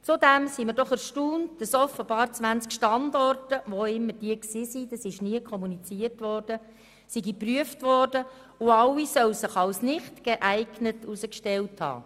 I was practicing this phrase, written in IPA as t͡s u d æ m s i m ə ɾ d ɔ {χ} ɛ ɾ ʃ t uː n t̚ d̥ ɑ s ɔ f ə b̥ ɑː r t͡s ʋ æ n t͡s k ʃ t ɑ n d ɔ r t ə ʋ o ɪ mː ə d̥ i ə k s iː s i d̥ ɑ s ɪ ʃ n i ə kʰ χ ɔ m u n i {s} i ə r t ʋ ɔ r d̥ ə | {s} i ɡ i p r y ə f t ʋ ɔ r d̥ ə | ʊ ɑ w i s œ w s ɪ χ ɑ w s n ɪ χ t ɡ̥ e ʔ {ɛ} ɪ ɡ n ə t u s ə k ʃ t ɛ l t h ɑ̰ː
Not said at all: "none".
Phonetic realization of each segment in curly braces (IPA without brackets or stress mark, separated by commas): χ, t͡s, s, æ